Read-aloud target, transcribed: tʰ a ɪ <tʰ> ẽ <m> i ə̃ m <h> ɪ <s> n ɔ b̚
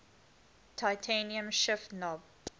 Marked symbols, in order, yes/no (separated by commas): yes, no, no, no